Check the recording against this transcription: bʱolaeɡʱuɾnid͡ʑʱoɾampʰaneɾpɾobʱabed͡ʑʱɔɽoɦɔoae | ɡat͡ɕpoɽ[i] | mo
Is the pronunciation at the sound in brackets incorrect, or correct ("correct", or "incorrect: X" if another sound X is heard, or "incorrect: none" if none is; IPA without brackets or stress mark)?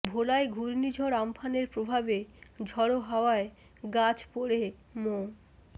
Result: incorrect: e